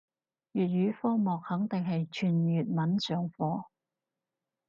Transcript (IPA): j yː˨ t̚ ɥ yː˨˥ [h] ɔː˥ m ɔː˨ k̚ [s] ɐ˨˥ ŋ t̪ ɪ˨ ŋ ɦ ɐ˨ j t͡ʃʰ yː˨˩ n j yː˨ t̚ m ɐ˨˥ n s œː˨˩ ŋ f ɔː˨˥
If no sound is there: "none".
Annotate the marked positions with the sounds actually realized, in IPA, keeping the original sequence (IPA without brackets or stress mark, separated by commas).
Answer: f, h